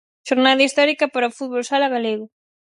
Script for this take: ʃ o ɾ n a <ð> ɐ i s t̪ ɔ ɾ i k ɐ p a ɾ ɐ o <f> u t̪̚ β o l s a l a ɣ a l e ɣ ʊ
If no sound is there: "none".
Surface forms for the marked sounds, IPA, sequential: ð, f

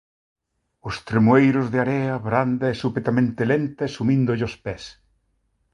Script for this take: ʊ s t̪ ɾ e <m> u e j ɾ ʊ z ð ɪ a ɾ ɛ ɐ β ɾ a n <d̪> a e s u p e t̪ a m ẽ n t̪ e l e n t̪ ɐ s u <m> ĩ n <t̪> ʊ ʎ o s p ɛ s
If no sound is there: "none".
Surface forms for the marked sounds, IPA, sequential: m, d̪, m, d̪

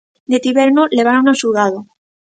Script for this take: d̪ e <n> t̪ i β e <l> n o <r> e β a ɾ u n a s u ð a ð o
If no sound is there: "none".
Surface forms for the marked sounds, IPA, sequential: none, ɾ, l

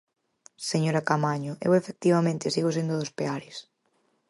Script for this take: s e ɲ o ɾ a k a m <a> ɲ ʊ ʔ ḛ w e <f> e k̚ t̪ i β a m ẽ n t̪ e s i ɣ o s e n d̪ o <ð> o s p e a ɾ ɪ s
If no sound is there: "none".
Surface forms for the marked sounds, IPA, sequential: a, f, ð

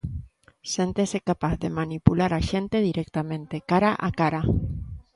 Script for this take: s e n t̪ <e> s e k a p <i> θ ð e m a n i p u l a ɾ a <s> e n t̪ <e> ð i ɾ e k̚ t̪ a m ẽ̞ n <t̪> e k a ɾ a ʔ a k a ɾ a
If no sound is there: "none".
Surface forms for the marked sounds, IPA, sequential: e, a, ʃ, e, t̪

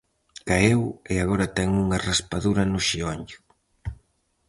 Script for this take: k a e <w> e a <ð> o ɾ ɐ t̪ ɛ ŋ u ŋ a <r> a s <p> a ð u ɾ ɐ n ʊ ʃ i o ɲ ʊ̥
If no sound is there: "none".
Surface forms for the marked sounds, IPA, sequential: w, ɣ, r, p

